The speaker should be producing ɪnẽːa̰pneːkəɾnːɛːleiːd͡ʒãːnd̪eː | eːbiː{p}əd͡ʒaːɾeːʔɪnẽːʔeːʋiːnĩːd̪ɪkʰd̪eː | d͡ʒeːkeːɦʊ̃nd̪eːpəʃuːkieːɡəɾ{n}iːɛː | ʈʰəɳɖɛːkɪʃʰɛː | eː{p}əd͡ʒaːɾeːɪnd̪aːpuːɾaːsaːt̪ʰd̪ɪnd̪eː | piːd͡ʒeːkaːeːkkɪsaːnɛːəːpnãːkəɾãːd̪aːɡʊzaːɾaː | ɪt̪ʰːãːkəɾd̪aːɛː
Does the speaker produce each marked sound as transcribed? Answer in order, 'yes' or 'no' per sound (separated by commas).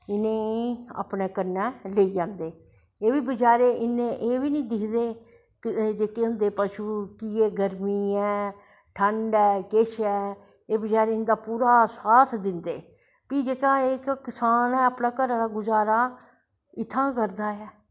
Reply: no, no, no